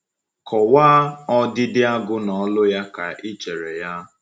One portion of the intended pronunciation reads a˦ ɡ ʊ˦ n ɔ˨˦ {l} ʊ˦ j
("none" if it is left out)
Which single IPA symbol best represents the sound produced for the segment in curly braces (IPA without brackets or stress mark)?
l